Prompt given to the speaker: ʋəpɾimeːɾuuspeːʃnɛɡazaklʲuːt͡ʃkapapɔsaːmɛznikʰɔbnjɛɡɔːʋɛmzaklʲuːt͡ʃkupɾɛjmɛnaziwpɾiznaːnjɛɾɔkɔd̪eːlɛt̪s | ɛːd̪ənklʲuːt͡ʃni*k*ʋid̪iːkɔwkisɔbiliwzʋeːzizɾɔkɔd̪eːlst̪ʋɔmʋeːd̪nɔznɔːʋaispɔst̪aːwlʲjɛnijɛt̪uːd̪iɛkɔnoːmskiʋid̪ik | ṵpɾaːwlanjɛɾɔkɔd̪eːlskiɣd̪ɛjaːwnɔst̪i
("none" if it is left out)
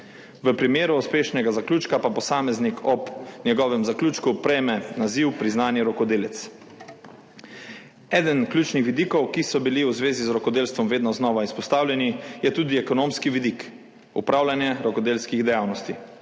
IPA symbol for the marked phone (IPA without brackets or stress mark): x